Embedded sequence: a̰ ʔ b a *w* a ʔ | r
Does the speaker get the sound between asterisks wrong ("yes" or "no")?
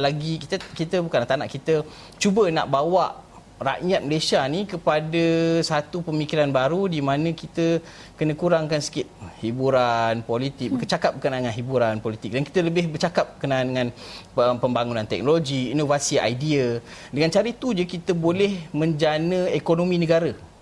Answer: no